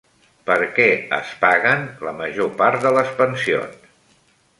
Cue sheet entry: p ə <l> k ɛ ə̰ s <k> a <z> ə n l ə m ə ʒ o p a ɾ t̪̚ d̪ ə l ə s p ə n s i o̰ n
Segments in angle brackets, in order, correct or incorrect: incorrect, incorrect, incorrect

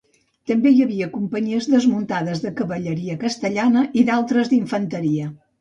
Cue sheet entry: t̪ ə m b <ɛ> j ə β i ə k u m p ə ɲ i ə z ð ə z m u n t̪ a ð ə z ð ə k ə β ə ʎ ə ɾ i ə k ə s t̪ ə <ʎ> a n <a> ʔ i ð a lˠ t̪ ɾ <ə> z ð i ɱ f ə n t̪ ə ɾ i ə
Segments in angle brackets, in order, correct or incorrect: incorrect, correct, incorrect, correct

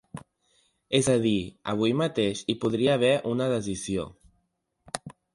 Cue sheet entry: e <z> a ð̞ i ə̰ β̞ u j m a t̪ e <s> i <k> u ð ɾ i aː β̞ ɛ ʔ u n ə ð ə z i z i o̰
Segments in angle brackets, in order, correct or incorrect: correct, incorrect, incorrect

